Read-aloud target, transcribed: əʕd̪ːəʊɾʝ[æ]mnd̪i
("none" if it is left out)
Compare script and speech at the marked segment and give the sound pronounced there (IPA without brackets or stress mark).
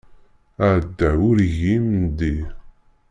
i